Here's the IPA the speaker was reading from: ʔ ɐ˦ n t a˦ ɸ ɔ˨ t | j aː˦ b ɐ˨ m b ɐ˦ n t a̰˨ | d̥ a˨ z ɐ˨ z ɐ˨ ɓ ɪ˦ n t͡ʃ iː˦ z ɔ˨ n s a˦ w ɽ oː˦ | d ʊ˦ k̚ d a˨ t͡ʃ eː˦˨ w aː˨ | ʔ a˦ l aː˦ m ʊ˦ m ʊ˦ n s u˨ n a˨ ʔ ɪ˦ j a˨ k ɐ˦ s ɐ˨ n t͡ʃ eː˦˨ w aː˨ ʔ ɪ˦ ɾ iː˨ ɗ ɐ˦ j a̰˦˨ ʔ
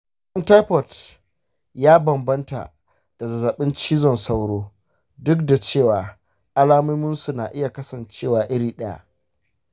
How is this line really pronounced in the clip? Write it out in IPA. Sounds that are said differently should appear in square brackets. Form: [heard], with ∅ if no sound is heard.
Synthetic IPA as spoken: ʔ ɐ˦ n t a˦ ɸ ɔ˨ t | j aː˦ b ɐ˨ m b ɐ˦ n t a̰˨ | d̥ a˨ z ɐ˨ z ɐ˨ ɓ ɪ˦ n t͡ʃ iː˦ z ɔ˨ n s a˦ w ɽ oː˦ | d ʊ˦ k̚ d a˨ t͡ʃ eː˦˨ w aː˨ | ʔ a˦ l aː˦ m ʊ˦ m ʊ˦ n s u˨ n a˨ ʔ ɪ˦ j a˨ k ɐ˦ s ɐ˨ n t͡ʃ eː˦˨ w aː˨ ʔ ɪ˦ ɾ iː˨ ɗ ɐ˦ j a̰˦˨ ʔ